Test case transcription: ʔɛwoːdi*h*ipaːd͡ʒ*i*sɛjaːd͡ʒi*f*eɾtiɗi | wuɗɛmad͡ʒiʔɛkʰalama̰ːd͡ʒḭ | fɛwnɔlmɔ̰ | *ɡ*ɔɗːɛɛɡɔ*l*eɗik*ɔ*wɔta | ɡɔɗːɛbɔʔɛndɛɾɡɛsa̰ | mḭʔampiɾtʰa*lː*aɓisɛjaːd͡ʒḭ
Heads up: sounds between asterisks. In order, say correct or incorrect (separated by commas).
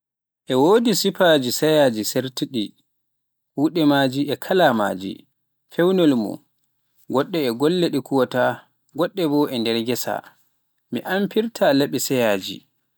incorrect, correct, incorrect, correct, incorrect, incorrect, incorrect